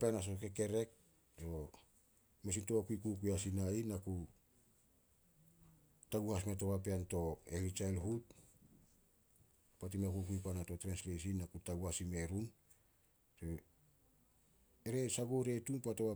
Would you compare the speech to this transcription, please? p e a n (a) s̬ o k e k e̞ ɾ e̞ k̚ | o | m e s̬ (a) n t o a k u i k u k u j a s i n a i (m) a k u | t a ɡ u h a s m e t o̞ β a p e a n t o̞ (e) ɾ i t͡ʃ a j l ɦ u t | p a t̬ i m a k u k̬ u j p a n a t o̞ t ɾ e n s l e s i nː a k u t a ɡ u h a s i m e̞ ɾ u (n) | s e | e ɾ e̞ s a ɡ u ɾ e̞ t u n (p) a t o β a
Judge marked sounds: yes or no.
yes, no, no, yes, yes, yes

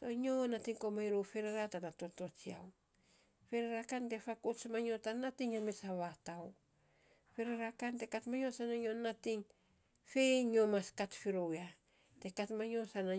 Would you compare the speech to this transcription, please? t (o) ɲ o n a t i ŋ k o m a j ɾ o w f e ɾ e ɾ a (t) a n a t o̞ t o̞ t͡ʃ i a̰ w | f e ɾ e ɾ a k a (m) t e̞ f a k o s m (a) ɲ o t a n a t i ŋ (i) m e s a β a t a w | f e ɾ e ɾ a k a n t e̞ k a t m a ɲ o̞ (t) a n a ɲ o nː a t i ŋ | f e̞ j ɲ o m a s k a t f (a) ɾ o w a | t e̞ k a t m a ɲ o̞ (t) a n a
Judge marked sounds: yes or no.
yes, yes, no, yes, no, no, no, no

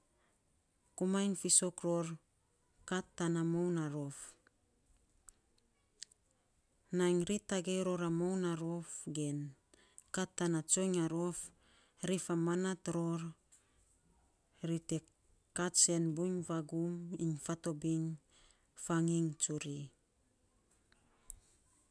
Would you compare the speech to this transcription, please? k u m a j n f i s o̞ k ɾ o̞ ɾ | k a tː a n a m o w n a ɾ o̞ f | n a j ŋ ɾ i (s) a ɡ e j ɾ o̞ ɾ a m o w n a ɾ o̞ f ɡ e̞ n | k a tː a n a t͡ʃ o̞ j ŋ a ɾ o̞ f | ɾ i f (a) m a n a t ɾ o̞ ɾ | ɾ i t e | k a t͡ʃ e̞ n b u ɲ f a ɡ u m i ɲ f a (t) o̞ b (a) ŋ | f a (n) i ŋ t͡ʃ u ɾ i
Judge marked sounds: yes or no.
no, yes, yes, no, no

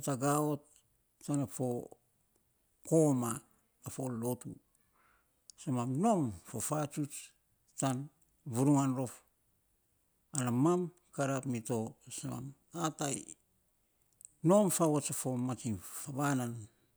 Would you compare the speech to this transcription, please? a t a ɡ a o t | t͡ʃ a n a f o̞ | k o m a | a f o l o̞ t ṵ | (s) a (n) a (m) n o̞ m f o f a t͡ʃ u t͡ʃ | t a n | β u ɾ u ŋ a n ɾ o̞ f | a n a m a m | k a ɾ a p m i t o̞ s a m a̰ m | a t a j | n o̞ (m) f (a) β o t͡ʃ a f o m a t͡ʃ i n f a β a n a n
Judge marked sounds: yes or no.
yes, no, yes, yes, yes

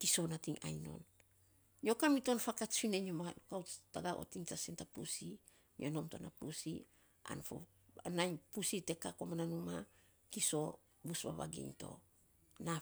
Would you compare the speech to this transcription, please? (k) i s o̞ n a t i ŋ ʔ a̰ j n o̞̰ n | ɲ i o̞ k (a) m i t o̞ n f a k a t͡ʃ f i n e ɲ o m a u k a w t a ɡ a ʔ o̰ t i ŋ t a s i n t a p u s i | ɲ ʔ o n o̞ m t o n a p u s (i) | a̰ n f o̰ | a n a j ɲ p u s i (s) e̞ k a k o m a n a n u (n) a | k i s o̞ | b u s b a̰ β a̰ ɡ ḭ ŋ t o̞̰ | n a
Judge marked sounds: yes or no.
yes, yes, yes, no, no

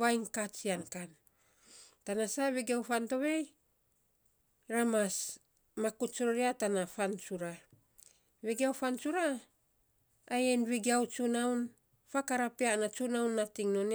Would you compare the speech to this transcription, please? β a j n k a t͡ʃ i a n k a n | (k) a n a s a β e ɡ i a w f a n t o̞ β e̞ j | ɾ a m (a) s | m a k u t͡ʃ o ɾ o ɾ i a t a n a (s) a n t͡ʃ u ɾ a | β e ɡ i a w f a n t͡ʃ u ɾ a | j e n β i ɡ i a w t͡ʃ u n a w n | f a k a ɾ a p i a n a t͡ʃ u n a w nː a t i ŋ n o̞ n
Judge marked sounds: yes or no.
no, yes, no

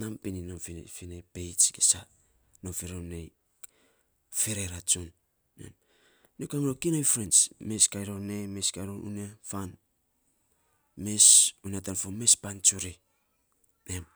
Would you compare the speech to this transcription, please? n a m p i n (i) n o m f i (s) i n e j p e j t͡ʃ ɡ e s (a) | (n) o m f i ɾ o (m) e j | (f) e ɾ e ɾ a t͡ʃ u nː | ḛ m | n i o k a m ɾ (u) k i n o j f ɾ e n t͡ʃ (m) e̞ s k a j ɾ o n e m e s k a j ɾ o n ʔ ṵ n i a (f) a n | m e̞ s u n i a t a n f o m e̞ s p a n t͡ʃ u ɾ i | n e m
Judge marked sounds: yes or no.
yes, no, yes, yes, no, yes, no, yes, yes

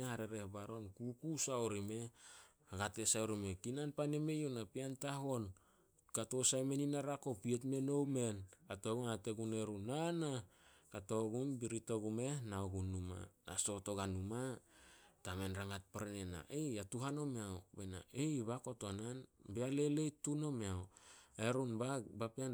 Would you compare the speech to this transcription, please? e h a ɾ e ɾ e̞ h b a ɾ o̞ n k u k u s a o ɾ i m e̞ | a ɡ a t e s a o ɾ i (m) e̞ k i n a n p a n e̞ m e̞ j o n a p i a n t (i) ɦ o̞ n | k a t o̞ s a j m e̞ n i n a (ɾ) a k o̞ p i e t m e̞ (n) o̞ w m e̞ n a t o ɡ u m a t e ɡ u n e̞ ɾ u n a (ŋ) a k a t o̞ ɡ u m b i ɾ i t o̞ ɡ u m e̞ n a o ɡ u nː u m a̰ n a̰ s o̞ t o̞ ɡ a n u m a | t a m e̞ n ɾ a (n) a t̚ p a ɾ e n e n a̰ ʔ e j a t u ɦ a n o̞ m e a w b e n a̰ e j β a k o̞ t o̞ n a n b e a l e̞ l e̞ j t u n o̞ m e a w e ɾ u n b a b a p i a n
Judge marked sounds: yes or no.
yes, no, yes, yes, no, no

